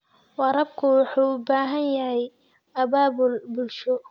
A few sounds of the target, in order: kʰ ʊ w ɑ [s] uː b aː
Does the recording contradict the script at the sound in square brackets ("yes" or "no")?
yes